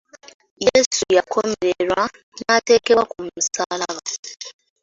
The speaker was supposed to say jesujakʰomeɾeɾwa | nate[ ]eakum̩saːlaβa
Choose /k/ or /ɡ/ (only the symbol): k